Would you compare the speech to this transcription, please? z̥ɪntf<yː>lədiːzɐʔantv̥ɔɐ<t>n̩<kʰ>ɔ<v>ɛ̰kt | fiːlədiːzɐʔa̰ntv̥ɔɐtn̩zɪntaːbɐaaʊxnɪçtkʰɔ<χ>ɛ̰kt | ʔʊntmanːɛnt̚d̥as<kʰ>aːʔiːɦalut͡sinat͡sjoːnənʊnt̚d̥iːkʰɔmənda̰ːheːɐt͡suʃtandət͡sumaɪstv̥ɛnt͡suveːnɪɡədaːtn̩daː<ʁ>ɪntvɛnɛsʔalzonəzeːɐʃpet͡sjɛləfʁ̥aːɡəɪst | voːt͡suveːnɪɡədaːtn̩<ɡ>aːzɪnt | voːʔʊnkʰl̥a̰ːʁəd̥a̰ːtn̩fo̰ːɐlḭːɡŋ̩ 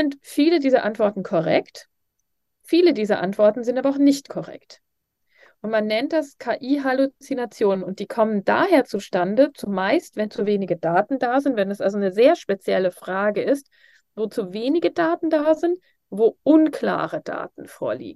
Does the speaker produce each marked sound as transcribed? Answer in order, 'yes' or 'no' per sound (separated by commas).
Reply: no, yes, yes, no, no, yes, no, no